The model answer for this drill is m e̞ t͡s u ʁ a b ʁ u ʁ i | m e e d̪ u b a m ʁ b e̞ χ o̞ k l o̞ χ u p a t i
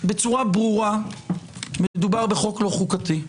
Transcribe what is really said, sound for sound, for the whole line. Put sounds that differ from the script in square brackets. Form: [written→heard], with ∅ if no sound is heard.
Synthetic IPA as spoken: [m→b] e̞ t͡s u ʁ a b ʁ u ʁ [i→a] | m e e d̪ u b a [m→∅] ʁ b e̞ χ o̞ k l o̞ χ u [p→k] a t i